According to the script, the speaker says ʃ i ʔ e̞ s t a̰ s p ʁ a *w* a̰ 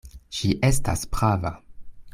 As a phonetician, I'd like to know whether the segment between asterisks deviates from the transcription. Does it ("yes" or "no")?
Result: yes